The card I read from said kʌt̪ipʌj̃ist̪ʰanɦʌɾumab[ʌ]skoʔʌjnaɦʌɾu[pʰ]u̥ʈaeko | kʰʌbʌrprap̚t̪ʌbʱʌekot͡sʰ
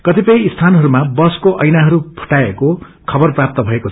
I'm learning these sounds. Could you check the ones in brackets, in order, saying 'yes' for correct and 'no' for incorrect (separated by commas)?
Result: yes, yes